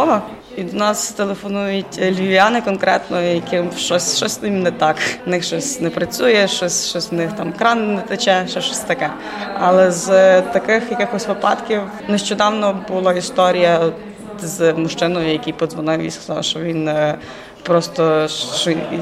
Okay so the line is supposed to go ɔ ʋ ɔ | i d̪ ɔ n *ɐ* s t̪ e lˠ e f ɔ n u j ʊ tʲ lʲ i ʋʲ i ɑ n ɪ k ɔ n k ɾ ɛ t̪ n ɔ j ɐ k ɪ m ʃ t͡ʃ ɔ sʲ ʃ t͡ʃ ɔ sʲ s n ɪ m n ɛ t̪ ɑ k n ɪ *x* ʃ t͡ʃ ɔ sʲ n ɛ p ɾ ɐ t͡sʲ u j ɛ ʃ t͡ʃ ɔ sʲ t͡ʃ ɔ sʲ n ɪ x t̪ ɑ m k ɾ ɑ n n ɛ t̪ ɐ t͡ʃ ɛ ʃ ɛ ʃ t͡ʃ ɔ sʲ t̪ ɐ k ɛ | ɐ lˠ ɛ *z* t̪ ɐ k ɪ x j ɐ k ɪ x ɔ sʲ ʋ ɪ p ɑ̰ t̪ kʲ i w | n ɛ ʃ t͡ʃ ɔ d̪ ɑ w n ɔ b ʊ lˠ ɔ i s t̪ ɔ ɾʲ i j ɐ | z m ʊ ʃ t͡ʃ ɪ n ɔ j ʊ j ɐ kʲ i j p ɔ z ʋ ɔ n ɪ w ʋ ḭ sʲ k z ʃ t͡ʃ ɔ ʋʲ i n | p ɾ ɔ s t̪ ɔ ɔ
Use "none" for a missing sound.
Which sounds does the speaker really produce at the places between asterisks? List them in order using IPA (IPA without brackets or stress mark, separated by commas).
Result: ɑ, x, z